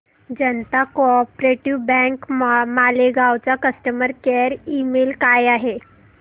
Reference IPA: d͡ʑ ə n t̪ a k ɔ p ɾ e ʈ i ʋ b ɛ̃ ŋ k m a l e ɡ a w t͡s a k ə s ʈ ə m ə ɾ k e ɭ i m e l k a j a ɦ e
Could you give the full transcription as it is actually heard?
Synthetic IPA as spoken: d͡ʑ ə n t̪ a k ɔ p ɾ e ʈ i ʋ b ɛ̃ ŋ k m a l e ɡ a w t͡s a k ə s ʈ ə m ə ɾ k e ɾ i m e l k a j a ɦ e